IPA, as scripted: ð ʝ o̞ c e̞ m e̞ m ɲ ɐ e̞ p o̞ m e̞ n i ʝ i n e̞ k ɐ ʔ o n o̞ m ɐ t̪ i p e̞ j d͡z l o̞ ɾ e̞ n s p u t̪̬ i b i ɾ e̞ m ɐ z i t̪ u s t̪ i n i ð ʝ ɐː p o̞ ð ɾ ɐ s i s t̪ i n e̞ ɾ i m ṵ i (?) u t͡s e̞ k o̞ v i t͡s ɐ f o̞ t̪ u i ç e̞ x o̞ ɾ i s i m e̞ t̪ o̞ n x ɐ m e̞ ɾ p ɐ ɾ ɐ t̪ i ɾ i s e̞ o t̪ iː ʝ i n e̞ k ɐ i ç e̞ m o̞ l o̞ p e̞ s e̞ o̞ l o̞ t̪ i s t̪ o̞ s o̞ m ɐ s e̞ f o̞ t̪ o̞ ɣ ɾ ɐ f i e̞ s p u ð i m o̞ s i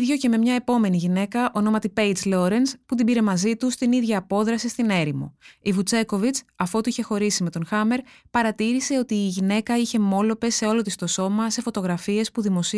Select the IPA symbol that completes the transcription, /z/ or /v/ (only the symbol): v